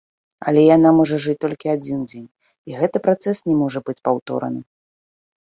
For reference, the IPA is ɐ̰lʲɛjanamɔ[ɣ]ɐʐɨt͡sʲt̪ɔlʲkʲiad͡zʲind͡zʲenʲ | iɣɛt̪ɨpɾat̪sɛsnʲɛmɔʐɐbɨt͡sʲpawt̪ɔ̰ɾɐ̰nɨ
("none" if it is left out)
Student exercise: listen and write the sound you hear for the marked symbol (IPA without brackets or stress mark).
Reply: ʐ